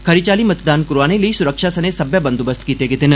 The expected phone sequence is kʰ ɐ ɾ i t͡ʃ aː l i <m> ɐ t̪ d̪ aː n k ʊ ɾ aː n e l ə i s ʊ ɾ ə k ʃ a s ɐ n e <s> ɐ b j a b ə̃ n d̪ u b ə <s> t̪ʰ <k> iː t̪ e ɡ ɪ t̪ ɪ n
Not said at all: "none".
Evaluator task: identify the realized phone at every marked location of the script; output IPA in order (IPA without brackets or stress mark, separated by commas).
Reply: m, s, s, k